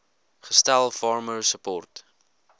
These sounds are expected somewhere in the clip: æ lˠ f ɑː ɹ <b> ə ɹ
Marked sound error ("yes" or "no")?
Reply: yes